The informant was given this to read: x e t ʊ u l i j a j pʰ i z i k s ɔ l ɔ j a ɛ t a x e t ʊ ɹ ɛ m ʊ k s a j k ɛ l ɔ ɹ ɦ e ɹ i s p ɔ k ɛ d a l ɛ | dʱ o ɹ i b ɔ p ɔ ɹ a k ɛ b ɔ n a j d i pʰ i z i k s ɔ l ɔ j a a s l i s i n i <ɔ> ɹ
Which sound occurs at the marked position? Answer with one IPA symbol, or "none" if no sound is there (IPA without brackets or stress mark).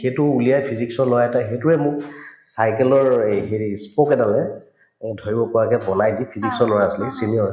ɔ